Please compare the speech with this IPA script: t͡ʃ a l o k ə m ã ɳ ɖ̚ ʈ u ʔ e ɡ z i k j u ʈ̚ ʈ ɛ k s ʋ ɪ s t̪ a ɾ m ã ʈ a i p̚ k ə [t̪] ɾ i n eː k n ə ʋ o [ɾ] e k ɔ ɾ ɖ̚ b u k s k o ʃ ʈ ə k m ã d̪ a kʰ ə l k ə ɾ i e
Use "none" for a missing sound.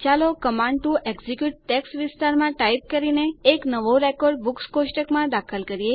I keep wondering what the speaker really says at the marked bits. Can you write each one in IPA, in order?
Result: none, ɾ

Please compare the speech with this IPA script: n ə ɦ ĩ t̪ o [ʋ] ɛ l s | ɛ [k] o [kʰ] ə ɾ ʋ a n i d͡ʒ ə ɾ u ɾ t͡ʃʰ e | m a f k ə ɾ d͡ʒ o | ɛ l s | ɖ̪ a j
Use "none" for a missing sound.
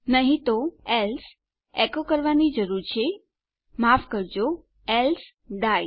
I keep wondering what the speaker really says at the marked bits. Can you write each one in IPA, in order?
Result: none, k, k

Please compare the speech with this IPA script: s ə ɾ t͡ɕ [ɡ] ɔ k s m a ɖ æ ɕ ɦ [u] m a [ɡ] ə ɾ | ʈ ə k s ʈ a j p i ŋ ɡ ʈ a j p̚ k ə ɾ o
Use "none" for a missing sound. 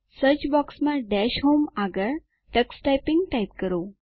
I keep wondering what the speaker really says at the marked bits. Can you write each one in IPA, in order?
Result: b, o, ɡ

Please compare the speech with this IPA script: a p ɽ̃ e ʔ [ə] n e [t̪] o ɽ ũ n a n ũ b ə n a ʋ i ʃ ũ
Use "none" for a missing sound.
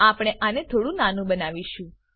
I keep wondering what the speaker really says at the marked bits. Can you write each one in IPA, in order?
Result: a, t̪ʰ

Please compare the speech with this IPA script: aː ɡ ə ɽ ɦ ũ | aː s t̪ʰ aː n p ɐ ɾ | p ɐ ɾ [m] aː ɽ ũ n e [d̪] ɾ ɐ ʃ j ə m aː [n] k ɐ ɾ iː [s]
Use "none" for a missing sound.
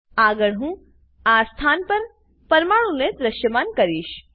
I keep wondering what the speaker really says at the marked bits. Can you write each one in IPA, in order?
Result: m, d̪, n, ʃ

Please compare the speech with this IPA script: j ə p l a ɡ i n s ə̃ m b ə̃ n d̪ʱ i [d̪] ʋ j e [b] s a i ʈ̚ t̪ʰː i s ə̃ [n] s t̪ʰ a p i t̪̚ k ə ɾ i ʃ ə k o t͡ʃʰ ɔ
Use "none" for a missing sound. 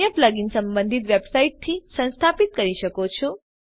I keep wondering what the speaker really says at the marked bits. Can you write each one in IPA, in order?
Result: t̪, b, n

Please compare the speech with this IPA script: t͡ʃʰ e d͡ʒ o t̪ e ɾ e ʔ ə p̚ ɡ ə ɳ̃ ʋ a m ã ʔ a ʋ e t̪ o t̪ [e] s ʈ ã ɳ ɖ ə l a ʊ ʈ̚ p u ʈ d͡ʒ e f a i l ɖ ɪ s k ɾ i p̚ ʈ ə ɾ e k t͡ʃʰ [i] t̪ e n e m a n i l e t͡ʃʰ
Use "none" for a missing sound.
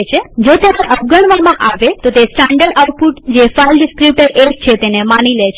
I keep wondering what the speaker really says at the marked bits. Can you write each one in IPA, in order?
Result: e, e

